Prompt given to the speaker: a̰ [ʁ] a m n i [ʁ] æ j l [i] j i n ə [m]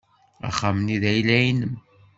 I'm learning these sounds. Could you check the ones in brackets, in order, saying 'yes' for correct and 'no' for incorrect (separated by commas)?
no, no, no, yes